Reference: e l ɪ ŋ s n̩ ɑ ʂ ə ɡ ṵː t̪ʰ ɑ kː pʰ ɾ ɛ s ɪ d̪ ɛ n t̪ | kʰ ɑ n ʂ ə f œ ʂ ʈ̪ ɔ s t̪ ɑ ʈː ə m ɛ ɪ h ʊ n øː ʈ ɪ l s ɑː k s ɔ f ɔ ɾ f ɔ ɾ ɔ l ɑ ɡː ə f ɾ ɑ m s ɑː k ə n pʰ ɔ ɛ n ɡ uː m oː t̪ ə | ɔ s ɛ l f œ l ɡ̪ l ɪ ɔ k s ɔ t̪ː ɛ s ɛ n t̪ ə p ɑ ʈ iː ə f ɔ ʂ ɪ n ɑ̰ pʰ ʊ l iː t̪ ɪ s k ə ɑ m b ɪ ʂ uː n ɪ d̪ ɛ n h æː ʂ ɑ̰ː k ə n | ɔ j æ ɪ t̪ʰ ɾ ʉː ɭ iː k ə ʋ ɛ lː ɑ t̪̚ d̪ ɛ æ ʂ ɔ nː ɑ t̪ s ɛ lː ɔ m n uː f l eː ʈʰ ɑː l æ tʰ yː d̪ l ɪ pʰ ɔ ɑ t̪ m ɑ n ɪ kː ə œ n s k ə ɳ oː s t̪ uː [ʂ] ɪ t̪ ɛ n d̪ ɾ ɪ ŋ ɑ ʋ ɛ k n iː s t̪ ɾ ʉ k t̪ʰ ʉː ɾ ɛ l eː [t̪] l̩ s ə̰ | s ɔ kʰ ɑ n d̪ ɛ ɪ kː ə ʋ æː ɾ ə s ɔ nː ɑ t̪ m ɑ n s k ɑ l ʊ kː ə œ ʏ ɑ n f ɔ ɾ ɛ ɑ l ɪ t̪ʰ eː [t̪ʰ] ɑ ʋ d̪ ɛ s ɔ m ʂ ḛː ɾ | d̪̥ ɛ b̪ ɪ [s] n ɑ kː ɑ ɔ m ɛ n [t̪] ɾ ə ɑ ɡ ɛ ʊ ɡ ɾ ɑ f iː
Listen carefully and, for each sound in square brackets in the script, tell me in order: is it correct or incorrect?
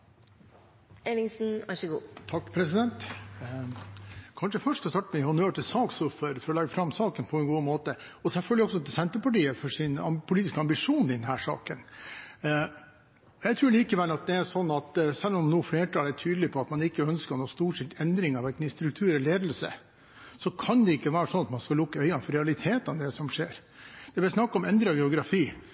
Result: correct, incorrect, incorrect, correct, incorrect

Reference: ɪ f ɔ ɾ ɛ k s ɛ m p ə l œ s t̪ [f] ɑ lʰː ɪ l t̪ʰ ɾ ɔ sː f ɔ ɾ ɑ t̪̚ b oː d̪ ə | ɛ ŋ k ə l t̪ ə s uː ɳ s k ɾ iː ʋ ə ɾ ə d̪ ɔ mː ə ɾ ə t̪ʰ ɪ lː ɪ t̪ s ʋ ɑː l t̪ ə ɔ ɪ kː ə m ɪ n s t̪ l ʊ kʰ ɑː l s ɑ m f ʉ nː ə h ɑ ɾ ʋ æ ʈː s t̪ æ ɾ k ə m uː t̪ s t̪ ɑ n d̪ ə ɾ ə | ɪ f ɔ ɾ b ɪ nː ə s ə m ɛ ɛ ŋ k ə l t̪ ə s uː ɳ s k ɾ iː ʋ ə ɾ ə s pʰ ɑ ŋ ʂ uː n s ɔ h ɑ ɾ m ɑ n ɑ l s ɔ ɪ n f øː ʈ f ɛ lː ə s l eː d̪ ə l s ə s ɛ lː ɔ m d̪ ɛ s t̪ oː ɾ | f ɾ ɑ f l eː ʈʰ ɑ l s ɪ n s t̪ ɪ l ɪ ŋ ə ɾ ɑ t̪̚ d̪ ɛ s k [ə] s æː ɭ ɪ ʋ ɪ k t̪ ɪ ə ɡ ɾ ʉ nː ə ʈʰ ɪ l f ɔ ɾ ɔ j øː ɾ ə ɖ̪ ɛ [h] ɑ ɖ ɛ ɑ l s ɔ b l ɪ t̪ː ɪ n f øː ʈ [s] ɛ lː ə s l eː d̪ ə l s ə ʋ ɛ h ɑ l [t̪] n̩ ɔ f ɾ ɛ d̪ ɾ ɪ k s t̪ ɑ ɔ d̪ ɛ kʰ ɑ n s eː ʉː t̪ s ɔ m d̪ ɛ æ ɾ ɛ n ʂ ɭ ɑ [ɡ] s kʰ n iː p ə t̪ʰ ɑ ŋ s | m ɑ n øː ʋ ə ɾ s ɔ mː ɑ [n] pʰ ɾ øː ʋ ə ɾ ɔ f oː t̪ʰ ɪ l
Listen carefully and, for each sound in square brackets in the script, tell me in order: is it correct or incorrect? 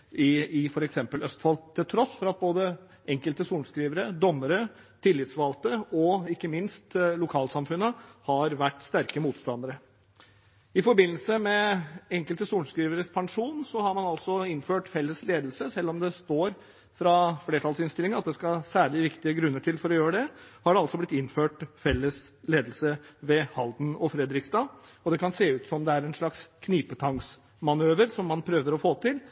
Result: correct, incorrect, correct, incorrect, incorrect, incorrect, correct

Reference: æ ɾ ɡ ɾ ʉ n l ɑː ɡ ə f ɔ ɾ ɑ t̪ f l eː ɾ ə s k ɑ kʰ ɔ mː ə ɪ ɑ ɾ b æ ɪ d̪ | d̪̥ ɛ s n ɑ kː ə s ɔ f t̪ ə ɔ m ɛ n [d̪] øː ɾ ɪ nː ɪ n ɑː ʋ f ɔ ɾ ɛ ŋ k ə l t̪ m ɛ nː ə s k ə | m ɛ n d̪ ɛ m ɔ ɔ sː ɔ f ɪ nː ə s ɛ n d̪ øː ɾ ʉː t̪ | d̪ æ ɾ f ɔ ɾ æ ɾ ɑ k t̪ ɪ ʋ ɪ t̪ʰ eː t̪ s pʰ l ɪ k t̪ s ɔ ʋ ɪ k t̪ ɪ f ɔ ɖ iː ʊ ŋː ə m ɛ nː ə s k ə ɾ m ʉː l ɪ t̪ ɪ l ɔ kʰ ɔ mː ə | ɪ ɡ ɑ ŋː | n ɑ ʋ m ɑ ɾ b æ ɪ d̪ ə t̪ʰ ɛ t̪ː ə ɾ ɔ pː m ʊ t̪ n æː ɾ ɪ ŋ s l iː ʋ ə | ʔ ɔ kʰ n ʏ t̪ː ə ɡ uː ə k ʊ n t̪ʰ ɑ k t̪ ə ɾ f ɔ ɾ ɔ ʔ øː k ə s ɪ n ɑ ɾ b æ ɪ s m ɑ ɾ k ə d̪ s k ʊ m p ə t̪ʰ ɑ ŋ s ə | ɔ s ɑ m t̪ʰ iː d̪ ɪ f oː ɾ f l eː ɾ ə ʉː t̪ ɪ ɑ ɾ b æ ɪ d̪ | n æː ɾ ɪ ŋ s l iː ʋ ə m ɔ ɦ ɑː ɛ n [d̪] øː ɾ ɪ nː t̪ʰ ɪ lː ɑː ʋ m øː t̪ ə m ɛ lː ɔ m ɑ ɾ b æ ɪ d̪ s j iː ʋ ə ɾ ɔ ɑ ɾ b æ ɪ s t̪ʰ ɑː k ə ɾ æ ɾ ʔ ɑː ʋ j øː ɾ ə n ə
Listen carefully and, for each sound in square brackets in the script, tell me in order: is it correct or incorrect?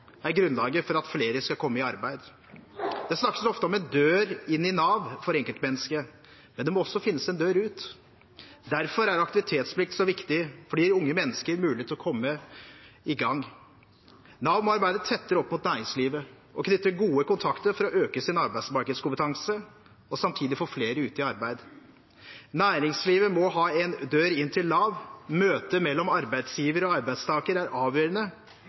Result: correct, correct

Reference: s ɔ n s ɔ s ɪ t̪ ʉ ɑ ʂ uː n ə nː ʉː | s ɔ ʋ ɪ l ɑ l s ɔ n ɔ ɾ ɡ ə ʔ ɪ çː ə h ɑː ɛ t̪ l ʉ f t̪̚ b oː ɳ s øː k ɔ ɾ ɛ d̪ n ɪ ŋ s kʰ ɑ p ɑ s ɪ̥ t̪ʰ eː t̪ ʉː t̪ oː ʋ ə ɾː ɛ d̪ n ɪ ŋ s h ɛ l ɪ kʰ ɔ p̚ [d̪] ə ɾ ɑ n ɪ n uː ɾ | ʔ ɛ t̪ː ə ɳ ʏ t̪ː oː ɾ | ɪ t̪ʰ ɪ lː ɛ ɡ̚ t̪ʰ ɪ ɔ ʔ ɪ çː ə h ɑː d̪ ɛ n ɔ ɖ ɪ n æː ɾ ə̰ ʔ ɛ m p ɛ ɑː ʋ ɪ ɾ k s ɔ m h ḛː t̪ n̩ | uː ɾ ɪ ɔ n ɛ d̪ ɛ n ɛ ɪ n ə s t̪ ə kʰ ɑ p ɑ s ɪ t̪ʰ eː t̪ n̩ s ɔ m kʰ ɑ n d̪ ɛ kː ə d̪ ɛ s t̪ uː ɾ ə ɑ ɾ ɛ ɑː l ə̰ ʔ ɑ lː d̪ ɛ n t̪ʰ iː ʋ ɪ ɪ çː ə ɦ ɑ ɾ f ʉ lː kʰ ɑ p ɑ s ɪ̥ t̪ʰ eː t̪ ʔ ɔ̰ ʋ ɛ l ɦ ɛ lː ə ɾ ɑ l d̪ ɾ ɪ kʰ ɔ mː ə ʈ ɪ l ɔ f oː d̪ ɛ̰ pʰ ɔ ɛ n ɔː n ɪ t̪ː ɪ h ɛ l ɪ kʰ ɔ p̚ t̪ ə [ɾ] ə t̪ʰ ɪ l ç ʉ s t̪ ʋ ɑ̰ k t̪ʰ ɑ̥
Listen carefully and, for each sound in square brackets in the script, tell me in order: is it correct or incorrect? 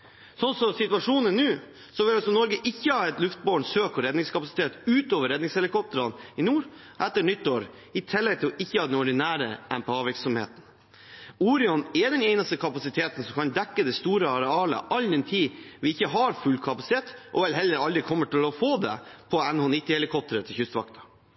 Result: incorrect, correct

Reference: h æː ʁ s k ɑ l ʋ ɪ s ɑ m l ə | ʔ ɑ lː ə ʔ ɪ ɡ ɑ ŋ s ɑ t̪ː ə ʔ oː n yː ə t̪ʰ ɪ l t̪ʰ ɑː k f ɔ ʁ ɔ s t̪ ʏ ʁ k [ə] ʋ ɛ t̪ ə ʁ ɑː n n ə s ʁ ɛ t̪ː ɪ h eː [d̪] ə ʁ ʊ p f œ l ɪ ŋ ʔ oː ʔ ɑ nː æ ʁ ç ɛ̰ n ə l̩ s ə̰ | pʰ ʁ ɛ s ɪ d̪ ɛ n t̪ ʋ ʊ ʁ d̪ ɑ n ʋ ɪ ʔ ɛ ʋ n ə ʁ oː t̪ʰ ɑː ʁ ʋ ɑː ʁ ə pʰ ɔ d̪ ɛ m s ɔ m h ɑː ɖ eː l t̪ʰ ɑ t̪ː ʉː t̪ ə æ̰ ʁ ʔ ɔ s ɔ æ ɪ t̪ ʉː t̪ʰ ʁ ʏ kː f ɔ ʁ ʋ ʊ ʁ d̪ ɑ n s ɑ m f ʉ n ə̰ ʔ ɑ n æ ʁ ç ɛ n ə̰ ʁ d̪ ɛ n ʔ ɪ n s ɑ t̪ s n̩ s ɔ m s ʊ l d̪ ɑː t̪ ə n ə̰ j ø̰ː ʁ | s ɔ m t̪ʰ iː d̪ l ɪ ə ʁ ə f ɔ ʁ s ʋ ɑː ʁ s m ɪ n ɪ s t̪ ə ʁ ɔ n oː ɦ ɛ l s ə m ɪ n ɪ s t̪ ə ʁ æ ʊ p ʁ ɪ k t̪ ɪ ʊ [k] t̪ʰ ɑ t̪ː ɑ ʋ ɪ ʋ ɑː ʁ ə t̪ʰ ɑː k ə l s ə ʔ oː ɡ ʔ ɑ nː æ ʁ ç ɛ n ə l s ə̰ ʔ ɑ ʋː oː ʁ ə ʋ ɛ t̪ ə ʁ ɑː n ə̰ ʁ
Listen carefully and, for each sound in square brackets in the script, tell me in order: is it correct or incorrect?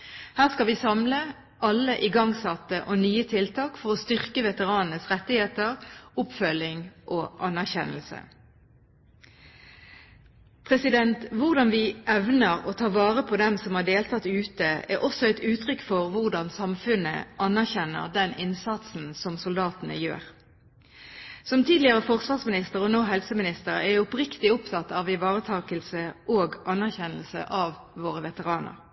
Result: correct, incorrect, incorrect

